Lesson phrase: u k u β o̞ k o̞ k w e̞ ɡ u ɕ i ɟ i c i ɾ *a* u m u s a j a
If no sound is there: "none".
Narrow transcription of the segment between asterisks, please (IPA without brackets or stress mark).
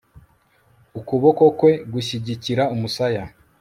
a